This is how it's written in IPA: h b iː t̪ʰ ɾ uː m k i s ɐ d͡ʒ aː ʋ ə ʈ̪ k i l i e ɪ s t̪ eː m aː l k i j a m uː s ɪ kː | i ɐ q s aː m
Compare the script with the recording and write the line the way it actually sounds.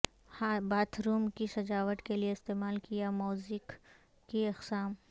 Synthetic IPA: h b aː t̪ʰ ɾ uː m k i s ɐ d͡ʒ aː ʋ ə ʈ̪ k e l i e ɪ s t̪ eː m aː l k i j a m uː z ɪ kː | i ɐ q s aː m